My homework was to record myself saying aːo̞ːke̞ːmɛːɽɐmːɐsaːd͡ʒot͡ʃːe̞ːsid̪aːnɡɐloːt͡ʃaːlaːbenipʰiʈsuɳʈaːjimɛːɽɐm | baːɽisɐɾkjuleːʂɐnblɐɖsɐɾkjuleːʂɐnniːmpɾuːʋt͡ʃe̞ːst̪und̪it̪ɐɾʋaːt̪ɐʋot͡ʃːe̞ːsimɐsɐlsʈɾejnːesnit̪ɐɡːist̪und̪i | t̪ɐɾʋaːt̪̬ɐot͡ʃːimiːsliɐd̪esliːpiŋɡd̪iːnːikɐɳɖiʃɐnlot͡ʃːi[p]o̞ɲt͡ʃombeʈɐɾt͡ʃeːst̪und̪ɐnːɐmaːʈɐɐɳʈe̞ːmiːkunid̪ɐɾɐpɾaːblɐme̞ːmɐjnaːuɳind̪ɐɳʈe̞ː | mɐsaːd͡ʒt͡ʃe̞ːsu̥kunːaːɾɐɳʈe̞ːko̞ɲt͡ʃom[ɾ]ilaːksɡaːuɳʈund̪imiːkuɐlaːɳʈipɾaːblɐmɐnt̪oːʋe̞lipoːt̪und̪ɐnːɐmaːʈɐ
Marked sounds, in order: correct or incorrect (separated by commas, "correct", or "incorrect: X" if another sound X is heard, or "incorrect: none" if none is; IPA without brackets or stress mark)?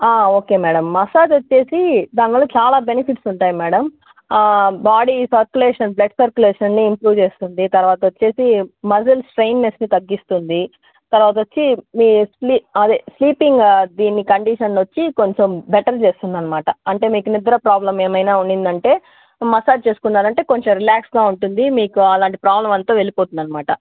incorrect: k, correct